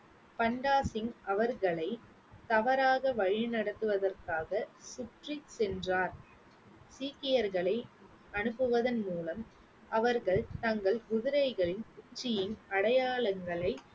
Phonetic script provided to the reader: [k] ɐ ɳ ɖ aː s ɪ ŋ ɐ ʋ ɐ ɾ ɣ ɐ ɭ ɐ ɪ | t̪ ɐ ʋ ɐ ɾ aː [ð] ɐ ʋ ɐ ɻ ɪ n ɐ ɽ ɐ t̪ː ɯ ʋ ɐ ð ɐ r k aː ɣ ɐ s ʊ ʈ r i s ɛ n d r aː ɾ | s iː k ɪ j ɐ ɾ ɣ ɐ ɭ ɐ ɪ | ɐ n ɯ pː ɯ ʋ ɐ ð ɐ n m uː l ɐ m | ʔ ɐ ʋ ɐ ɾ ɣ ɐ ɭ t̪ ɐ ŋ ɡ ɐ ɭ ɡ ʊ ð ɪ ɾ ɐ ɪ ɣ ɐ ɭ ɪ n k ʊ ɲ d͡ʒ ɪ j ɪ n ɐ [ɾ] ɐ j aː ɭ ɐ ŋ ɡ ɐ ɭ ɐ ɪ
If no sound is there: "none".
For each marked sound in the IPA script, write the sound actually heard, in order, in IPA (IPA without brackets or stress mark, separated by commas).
p, ɣ, ɽ